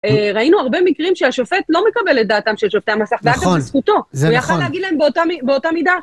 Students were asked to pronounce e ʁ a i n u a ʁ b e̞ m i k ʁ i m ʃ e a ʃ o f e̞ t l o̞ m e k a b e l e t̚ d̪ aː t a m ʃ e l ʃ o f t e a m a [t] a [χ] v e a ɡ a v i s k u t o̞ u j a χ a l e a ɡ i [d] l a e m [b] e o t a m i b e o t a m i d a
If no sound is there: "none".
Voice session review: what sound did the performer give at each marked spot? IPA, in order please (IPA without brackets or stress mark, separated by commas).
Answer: s, χ, d, b